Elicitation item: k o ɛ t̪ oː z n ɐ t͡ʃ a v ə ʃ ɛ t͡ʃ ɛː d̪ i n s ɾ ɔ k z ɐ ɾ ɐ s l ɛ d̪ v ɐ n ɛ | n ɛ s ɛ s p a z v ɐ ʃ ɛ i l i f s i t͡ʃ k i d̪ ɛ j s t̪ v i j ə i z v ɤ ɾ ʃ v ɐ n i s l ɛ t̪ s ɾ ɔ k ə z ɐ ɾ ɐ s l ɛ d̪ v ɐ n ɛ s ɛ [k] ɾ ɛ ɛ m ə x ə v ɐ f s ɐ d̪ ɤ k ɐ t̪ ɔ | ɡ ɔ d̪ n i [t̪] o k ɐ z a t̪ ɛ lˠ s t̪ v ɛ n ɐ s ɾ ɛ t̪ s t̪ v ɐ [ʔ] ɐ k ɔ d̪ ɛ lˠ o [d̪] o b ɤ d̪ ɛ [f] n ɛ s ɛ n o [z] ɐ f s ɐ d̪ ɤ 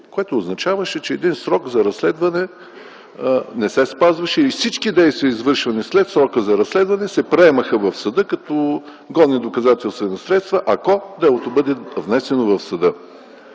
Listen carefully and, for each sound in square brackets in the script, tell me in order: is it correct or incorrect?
incorrect: p, incorrect: d̪, correct, incorrect: t̪, incorrect: v, incorrect: v

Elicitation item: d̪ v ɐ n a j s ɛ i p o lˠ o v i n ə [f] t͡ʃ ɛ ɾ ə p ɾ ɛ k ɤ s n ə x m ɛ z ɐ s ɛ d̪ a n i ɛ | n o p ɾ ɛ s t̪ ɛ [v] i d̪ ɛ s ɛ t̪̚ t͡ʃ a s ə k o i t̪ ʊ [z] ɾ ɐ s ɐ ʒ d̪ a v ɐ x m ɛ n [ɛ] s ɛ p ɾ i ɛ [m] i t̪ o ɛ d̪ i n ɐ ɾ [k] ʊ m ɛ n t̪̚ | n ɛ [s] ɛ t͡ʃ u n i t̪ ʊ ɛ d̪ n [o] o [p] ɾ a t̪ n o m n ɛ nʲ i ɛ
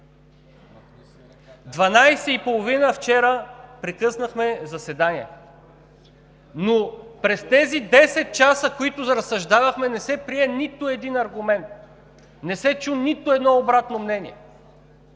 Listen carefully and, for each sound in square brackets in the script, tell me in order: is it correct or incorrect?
correct, incorrect: z, correct, correct, incorrect: n, incorrect: ɡ, correct, incorrect: ɔ, incorrect: b

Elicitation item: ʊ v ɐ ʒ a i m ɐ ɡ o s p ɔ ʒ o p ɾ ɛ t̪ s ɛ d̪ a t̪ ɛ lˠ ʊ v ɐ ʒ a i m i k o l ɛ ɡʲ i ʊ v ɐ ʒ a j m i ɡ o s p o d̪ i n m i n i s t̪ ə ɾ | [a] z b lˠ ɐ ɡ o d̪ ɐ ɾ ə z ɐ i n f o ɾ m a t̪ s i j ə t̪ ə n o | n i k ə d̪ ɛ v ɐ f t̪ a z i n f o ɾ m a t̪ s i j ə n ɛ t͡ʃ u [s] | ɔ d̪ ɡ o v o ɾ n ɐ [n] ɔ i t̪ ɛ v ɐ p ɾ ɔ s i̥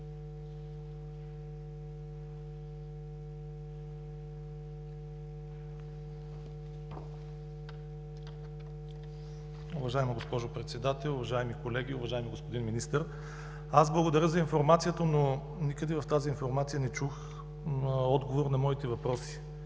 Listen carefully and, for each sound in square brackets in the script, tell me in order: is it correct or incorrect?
correct, incorrect: x, incorrect: m

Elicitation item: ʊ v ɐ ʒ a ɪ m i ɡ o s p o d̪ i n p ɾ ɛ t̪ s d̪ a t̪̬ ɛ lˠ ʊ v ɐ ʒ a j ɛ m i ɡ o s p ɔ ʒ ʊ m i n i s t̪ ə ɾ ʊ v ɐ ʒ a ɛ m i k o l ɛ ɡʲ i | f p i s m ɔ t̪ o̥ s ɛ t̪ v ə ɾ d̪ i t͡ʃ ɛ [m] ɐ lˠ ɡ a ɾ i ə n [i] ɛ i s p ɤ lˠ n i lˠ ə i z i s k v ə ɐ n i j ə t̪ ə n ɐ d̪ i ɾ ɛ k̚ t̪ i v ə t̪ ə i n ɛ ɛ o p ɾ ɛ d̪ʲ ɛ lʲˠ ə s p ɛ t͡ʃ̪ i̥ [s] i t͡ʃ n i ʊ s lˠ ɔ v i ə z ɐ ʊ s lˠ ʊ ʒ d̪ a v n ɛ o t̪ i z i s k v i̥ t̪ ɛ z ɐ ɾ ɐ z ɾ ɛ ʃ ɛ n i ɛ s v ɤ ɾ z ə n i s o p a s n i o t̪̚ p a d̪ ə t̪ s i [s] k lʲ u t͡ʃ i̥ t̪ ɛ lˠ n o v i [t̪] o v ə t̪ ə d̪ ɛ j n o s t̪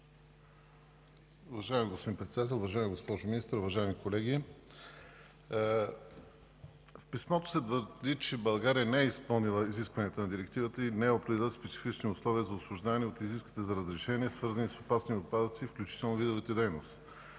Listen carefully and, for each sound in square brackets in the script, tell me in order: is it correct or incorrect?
incorrect: b, incorrect: ɛ, incorrect: f, incorrect: f, incorrect: d̪

